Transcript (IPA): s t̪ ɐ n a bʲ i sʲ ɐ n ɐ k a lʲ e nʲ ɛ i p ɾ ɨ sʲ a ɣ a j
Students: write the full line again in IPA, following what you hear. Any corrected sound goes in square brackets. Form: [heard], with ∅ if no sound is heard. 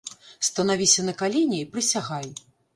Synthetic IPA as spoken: s t̪ ɐ n a [vʲ] i sʲ ɐ n ɐ k a lʲ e nʲ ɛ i p ɾ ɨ sʲ a ɣ a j

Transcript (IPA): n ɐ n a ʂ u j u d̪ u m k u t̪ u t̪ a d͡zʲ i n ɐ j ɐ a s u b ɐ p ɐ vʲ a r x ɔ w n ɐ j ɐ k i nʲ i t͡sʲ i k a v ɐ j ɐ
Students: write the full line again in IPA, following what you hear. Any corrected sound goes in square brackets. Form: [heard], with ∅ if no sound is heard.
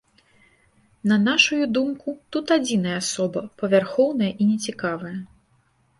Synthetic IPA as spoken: n ɐ n a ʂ u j u d̪ u m k u t̪ u t̪ a d͡zʲ i n ɐ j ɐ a s [ɔ] b ɐ p ɐ vʲ a r x ɔ w n ɐ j ɐ [ʔ] i nʲ [ɛ] t͡sʲ i k a v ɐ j ɐ

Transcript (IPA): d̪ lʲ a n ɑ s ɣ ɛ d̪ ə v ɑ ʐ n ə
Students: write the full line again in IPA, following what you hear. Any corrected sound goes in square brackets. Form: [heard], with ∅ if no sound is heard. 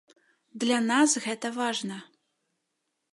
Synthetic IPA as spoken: d̪ lʲ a n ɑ s ɣ ɛ [t̪] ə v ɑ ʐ n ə

